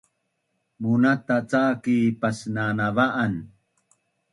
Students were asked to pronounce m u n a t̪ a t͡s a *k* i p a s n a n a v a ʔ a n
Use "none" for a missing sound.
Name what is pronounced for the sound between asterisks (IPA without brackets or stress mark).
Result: k